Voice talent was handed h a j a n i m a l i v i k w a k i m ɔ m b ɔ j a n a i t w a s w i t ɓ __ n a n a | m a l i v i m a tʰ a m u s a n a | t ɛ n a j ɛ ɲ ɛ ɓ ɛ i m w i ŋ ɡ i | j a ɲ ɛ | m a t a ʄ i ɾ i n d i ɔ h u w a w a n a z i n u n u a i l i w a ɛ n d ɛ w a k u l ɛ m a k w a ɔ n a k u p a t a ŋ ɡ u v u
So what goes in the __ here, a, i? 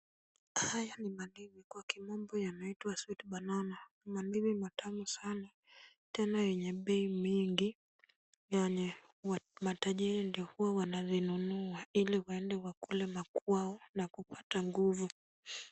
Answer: a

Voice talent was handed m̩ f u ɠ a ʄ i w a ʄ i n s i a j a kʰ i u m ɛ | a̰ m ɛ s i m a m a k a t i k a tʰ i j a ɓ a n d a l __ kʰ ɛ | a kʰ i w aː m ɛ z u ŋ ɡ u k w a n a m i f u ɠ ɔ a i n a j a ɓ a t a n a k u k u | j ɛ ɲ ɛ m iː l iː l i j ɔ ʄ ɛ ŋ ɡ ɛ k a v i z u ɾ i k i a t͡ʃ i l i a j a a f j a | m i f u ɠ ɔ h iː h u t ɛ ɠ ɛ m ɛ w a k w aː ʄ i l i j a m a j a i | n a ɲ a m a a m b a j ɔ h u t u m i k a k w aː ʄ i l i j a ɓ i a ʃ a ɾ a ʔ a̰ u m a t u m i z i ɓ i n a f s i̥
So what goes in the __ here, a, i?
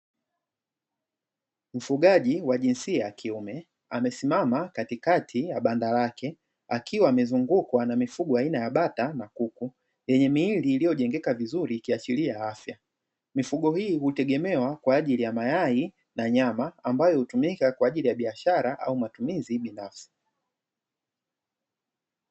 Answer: a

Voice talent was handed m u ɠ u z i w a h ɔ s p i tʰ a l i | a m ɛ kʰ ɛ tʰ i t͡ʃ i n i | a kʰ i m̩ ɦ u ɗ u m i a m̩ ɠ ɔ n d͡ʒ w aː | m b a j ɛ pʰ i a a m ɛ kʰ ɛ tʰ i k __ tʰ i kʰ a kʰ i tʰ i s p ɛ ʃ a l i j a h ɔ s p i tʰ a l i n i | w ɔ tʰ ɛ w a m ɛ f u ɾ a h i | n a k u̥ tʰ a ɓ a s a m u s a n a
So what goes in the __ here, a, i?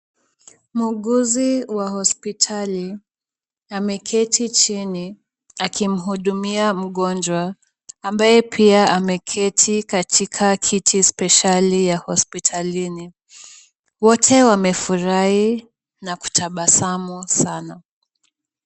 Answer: a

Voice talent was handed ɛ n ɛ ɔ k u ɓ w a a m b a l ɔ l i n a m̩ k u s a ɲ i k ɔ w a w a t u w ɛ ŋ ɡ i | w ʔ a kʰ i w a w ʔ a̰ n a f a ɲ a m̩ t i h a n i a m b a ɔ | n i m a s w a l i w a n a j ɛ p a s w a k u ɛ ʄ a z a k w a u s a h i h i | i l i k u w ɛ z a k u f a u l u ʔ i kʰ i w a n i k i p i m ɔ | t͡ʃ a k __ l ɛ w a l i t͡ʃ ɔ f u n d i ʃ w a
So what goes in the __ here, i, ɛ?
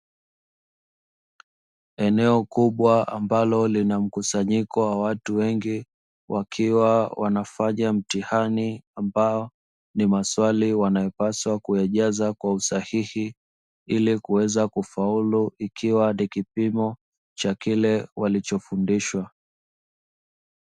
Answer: i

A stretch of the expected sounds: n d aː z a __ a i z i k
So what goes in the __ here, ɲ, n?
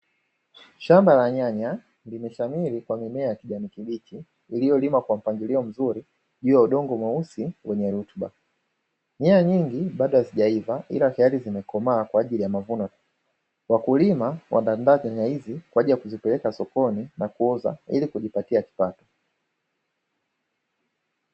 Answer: ɲ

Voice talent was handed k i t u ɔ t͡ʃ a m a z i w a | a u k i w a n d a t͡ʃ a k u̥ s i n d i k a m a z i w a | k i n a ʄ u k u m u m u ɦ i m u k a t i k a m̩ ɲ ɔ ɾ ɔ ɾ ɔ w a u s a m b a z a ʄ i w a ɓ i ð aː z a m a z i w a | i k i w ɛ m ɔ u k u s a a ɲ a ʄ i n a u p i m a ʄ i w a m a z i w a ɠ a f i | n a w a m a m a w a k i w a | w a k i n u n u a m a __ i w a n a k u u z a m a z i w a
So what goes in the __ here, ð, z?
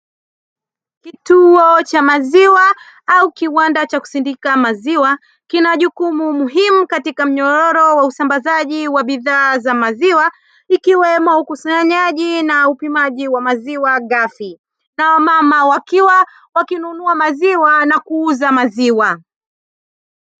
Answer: z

